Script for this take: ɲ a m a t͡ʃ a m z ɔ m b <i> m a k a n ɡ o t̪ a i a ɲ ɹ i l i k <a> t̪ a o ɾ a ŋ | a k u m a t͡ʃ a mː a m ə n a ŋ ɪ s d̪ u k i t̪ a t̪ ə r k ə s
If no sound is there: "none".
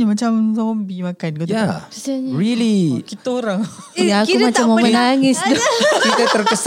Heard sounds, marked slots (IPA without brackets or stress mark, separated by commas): i, i